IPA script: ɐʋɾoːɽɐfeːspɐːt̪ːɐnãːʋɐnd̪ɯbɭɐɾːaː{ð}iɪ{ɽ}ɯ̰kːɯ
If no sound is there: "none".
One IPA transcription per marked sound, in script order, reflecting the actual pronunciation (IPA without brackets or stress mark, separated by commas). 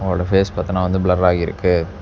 ɣ, ɾ